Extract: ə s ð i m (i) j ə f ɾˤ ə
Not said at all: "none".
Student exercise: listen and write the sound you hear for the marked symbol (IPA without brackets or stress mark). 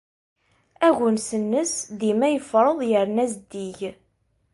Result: æ